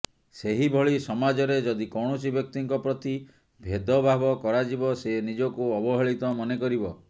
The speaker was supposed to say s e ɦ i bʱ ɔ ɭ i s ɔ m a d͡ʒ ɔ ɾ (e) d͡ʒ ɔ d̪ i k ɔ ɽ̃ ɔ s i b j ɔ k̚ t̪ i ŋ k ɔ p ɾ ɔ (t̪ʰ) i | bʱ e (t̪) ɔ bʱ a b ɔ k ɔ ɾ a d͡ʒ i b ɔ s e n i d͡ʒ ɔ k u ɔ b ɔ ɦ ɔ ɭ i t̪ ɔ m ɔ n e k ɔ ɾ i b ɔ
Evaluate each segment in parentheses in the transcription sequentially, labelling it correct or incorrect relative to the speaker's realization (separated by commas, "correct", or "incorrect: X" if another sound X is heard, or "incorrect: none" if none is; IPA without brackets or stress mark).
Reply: correct, incorrect: t̪, incorrect: d̪